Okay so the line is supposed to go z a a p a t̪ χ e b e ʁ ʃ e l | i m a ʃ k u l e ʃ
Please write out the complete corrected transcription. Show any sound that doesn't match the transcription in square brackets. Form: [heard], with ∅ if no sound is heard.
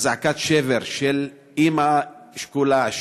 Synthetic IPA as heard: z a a [k] a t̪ [ʃ] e [v] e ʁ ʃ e l | i m a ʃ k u l [a] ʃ

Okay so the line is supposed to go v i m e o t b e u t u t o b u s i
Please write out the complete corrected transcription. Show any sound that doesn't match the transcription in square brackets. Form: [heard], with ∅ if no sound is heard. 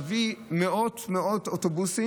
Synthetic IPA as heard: v i m e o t [m] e [o] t [o] t o b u s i

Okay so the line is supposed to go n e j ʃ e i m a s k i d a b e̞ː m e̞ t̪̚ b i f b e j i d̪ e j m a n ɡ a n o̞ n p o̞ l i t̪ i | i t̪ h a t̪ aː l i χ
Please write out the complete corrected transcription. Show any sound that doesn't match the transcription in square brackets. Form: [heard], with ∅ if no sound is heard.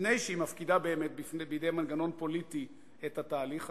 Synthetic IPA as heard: n e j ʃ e i m a [f] k i d a b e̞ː m e̞ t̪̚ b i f b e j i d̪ e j m a n ɡ a n o̞ n p o̞ l i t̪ i | [e] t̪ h a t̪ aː l i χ

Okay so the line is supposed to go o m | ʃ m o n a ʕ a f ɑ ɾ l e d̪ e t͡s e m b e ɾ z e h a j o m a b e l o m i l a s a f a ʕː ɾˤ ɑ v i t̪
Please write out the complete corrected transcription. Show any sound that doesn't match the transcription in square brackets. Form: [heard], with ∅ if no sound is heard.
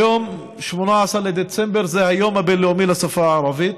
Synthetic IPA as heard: o m | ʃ m o n a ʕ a [s] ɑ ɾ l e d̪ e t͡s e m b e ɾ z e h a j o m a b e l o m i l a s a f a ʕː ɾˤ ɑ v i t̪

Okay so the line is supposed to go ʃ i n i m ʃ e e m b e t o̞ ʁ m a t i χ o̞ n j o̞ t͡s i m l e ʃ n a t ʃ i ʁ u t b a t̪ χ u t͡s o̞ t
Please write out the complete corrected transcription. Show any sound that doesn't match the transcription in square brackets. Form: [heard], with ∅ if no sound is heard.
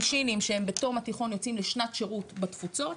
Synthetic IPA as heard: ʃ i n i m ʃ e e m b e t o̞ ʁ m a t i χ o̞ n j o̞ t͡s i m l e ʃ n a t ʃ [e] ʁ u t b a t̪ [f] u t͡s o̞ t

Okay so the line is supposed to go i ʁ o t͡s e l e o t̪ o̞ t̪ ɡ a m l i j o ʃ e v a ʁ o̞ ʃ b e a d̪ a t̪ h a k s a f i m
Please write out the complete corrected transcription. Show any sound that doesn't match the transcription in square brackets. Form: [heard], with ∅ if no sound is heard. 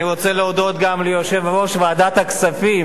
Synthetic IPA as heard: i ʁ o t͡s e l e o [d̪] o̞ t̪ ɡ a m l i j o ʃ e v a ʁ o̞ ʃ [v] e a d̪ a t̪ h a k s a f i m

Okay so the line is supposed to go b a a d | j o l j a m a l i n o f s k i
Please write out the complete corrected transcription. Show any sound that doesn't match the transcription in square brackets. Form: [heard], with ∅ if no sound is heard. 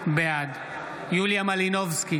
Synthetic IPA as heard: b [e] a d | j [u] l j a m a l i n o [v] s k i

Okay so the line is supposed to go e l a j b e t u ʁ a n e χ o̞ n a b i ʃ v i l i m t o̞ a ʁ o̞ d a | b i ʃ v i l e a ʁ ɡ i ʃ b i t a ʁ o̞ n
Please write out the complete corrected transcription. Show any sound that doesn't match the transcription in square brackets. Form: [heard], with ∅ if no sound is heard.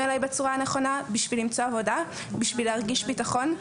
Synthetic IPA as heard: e l a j b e [t͡s] u ʁ a n e χ o̞ n a b i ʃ v i l i m [t͡s] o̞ a [v] o̞ d a | b i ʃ v i l e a ʁ ɡ i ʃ b i t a [χ] o̞ n

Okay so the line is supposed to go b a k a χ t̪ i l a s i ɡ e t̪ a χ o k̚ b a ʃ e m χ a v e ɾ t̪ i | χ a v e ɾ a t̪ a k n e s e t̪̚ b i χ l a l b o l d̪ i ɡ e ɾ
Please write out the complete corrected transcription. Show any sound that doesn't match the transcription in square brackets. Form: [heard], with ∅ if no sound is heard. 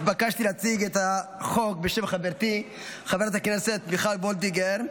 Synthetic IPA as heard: b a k a [ʃ] t̪ i l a [t͡s] i ɡ e t̪ a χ o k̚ b [e] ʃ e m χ a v e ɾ t̪ i | χ a v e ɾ a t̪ a k n e s e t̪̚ b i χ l a l b o l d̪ i ɡ e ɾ

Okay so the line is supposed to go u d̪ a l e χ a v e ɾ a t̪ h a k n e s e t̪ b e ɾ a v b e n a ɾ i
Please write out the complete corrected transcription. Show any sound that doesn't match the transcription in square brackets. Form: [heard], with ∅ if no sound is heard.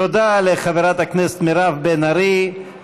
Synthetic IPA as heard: [o] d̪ a l e χ a v e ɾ a t̪ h a k n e s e t̪ [m] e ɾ a v b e n a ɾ i

